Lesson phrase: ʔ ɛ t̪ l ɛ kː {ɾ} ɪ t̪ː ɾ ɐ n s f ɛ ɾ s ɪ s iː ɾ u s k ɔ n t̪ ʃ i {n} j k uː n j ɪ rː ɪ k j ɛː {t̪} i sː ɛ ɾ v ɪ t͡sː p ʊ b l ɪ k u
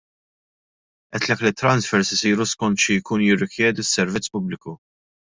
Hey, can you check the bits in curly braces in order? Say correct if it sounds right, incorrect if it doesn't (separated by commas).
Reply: incorrect, incorrect, incorrect